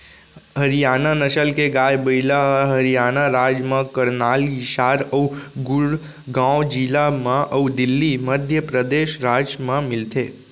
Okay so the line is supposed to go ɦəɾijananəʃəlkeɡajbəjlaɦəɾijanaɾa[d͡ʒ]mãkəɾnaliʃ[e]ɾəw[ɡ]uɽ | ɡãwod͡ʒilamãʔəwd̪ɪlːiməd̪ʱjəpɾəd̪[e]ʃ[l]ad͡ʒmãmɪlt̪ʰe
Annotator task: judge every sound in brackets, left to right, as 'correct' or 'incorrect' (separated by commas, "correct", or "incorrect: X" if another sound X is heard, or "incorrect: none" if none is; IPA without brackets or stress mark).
correct, incorrect: a, correct, correct, incorrect: ɾ